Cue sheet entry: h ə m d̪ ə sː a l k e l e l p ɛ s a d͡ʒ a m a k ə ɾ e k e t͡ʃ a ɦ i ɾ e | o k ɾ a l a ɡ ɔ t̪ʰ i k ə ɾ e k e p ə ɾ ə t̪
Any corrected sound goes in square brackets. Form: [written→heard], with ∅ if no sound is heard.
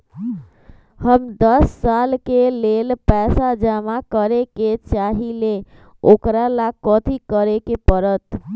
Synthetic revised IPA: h ə m d̪ ə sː a l k e l e l p ɛ s a d͡ʒ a m a k ə ɾ e k e t͡ʃ a ɦ i [ɾ→l] e | o k ɾ a l a [ɡ→k] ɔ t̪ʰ i k ə ɾ e k e p ə ɾ ə t̪